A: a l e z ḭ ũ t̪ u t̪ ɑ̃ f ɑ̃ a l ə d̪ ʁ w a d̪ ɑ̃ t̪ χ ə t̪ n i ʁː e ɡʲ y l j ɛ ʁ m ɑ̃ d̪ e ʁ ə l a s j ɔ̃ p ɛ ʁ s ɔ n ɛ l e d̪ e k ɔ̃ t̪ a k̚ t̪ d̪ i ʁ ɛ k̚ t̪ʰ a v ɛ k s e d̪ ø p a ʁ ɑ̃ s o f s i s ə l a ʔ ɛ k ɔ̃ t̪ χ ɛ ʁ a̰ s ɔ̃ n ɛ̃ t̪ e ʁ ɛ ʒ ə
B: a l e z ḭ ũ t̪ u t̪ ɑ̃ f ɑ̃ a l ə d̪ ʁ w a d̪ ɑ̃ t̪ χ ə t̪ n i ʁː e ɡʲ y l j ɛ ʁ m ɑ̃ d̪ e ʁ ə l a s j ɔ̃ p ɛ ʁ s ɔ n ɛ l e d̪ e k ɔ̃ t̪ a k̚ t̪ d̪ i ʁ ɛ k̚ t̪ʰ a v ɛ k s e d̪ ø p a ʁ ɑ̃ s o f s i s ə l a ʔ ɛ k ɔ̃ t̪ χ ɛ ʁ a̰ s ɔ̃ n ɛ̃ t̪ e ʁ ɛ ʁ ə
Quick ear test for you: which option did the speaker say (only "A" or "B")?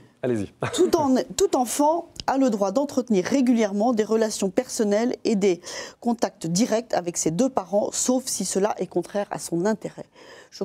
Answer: A